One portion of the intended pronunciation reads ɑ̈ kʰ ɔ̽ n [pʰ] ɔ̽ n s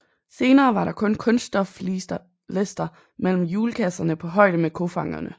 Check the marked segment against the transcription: incorrect: kʰ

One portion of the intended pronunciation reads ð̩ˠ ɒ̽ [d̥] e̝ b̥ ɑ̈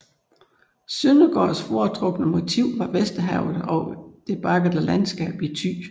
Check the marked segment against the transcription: correct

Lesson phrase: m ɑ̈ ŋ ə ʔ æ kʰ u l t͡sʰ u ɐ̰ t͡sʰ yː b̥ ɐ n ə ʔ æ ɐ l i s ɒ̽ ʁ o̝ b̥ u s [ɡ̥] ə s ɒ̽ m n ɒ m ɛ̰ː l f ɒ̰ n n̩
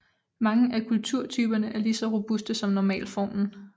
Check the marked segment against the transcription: incorrect: d̥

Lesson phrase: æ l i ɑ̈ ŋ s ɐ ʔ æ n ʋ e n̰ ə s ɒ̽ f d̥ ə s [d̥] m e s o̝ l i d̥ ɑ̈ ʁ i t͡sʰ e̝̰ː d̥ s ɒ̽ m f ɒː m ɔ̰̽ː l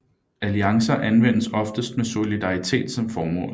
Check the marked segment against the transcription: correct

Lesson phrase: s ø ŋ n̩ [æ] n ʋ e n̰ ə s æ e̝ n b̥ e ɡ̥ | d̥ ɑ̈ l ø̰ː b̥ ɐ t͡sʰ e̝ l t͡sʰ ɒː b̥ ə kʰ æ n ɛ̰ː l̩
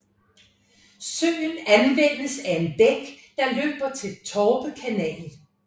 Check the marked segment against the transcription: correct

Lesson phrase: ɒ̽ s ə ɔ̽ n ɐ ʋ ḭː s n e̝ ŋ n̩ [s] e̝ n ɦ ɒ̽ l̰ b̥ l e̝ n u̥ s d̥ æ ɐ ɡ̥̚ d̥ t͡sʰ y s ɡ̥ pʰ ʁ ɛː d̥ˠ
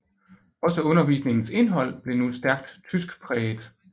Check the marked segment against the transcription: correct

